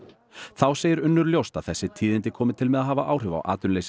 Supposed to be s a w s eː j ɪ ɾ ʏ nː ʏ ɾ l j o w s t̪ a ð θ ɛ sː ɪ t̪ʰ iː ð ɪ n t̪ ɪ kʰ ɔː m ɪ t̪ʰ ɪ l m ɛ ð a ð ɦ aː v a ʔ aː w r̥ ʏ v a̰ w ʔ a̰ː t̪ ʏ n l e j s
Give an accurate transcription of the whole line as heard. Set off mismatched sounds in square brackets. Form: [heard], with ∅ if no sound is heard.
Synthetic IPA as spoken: [θ] a w s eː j ɪ ɾ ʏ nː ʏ ɾ l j o w s t̪ a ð θ ɛ sː ɪ t̪ʰ iː ð ɪ n t̪ ɪ kʰ ɔː m ɪ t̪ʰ ɪ l m ɛ ð a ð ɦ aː v a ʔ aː w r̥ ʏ v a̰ w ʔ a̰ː t̪ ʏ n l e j s